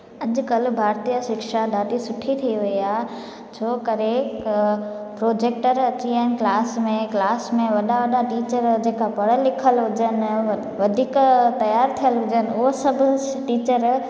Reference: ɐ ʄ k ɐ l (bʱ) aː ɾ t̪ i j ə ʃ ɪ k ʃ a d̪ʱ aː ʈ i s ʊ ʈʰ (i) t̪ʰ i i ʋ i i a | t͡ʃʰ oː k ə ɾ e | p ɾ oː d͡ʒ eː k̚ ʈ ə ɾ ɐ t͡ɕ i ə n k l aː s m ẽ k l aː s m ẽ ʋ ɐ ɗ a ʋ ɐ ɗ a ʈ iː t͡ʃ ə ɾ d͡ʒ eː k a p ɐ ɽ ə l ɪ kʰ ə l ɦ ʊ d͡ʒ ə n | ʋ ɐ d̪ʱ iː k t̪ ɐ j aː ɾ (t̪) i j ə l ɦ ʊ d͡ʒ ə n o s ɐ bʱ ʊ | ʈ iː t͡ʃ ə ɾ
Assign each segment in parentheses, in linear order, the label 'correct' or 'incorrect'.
correct, correct, incorrect

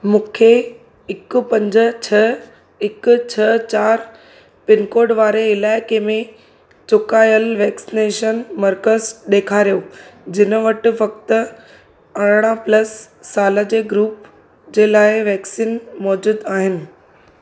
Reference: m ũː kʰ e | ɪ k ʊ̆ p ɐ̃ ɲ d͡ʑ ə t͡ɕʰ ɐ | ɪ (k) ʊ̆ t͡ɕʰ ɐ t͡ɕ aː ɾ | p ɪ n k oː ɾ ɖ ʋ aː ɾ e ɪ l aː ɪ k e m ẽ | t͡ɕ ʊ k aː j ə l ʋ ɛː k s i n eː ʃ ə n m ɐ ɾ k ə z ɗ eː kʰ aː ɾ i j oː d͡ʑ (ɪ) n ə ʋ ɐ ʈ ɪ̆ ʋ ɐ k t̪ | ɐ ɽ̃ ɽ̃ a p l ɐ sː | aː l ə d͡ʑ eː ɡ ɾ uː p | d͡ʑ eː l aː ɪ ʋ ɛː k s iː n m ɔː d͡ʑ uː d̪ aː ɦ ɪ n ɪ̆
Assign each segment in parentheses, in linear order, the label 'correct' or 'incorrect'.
correct, correct

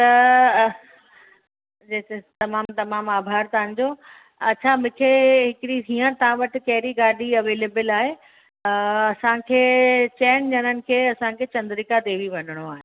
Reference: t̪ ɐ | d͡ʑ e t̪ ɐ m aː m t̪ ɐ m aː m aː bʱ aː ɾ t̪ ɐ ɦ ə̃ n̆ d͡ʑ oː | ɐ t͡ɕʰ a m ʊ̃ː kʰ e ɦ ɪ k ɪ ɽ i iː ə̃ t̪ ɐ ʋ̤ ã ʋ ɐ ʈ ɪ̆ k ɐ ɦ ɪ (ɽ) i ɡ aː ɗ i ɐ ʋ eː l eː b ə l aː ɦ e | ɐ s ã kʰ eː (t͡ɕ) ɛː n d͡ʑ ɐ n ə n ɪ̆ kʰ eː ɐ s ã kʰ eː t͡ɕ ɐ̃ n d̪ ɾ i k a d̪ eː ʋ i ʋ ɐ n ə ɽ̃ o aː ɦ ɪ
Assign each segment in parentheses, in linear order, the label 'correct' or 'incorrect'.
incorrect, correct

